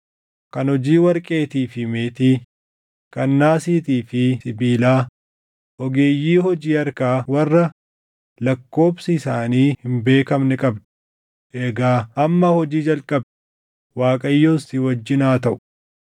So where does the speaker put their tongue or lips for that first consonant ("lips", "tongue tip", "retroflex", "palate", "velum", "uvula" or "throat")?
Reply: velum